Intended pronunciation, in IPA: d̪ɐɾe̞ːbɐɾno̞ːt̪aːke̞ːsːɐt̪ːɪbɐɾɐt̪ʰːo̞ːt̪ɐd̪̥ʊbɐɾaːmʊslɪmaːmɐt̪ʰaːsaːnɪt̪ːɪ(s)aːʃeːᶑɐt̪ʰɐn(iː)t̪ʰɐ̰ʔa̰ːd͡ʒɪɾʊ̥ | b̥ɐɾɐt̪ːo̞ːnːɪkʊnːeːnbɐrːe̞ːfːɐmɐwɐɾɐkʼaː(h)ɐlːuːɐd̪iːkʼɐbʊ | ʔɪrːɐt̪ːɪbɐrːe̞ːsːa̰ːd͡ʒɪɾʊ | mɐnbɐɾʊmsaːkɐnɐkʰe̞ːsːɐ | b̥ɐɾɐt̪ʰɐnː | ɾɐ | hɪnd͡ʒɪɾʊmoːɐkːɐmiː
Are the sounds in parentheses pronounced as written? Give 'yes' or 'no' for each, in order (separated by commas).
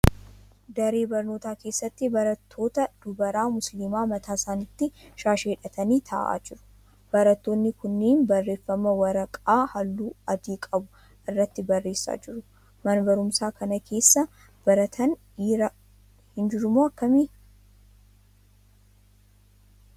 no, yes, yes